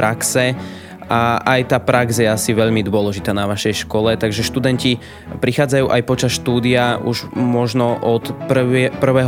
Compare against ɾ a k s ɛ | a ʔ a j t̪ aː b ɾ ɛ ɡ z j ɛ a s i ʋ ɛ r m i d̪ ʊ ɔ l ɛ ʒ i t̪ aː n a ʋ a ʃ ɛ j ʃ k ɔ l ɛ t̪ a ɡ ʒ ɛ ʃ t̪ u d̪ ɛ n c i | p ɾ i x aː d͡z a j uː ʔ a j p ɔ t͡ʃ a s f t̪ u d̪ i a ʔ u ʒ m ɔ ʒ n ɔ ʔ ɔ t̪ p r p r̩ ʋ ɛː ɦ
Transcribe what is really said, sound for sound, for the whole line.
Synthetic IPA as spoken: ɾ a k s ɛ | a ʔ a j t̪ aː p ɾ a ɡ z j ɛ a s i ʋ ɛ ʎ m i d̪ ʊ ɔ l ɛ ʒ i t̪ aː n a ʋ a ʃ ɛ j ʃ k ɔ l ɛ t̪ a ɡ ʒ ɛ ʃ t̪ u d̪ ɛ n c i | p ɾ i x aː d͡z a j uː ʔ a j p ɔ t͡ʃ a s ʃ t̪ uː d̪ i a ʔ u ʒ m ɔ ʒ n ɔ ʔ ɔ t̪ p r p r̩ ʋ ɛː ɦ